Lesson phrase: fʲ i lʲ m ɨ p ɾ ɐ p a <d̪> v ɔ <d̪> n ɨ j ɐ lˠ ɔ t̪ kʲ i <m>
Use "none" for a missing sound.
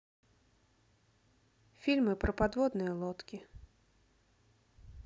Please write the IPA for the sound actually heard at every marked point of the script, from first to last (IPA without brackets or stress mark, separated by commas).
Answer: d̪, d̪, none